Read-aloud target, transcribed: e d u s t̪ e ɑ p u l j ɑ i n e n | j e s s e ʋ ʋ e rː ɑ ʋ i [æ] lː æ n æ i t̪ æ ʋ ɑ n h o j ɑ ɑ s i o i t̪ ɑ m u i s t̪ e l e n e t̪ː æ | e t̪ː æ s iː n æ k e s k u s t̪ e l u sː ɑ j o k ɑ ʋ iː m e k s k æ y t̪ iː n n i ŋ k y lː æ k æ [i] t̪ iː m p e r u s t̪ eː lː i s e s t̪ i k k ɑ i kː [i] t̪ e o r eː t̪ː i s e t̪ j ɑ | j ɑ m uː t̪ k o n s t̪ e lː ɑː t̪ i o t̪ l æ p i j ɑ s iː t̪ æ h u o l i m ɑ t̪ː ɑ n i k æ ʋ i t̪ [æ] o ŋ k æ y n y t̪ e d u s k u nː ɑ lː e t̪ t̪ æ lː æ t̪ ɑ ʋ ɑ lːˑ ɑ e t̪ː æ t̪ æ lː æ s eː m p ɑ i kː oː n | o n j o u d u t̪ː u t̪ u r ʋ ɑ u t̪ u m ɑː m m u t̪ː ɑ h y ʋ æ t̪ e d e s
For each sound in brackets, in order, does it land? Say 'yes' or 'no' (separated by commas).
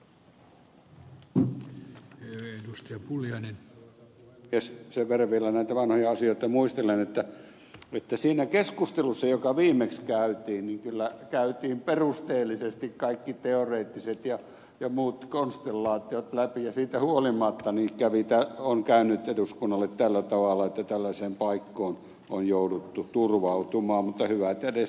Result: no, no, yes, yes